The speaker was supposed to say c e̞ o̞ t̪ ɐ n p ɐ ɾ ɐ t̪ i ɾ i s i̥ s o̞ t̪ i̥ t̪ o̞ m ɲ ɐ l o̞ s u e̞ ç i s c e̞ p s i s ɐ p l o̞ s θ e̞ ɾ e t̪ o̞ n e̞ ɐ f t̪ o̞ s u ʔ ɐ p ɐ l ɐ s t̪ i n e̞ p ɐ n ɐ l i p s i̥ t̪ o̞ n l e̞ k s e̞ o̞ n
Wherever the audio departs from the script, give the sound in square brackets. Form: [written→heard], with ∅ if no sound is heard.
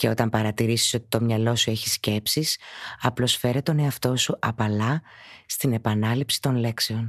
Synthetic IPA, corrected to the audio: c e̞ o̞ t̪ ɐ [n→m] p ɐ ɾ ɐ t̪ i ɾ i s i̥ s o̞ t̪ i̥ t̪ o̞ m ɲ ɐ l o̞ s u e̞ ç i s c e̞ p s i s ɐ p l o̞ s [θ→f] e̞ ɾ e t̪ o̞ n e̞ ɐ f t̪ o̞ s u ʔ ɐ p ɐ l ɐ s t̪ i n e̞ p ɐ n ɐ l i p s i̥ t̪ o̞ n l e̞ k s e̞ o̞ n